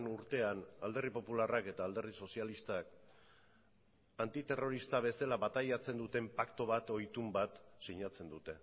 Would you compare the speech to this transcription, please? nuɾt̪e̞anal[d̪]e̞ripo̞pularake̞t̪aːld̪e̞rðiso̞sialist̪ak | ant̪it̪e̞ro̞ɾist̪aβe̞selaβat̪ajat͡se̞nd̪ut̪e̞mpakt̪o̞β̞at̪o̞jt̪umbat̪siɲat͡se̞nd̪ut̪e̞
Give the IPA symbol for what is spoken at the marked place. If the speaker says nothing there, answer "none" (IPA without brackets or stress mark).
d̪